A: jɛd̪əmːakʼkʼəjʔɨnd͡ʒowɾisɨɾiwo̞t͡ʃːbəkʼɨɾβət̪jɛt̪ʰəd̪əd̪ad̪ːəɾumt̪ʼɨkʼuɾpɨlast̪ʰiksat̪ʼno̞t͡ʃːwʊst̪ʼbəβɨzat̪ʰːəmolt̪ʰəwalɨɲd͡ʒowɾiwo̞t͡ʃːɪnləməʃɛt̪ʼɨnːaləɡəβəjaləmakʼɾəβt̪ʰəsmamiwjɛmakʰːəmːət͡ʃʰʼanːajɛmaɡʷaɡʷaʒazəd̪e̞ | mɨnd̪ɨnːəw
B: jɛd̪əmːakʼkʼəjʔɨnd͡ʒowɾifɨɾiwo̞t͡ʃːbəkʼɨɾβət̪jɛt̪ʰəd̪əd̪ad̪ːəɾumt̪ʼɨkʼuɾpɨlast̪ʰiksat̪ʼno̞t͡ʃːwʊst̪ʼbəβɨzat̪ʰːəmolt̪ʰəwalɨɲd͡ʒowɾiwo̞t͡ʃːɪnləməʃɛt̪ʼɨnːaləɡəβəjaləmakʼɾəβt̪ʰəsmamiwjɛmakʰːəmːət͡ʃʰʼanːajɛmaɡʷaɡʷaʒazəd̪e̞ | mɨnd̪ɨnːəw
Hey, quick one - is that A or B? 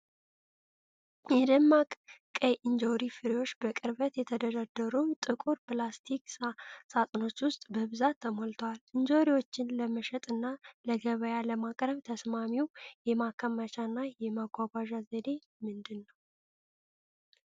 B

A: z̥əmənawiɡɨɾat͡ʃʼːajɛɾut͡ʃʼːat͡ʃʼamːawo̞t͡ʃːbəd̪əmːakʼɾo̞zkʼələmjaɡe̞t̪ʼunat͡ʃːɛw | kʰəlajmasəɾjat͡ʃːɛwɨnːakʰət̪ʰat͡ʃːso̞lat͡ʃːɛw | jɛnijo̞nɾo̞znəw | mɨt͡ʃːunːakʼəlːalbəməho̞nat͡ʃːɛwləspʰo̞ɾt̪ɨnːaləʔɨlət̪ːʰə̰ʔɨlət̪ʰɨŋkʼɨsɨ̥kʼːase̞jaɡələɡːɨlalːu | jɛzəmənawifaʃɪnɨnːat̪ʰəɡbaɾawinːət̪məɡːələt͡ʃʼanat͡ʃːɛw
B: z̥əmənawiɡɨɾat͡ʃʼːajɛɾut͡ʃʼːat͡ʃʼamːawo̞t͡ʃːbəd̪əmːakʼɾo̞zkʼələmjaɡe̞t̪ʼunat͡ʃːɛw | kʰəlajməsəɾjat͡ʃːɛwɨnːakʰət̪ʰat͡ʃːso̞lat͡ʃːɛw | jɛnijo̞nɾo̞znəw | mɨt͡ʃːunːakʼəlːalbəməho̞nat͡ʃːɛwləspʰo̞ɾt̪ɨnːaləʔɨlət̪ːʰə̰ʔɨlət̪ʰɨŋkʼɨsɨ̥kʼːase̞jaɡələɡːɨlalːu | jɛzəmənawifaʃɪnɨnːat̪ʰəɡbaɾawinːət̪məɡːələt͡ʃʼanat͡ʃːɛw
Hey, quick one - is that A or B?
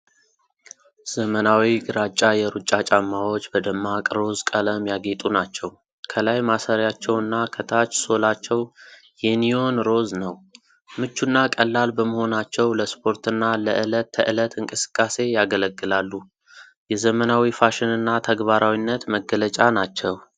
A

